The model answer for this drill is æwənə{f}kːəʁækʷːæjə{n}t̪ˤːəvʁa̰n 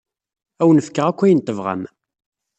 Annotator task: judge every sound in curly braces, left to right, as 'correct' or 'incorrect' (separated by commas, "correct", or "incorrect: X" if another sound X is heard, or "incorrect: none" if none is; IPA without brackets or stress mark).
correct, correct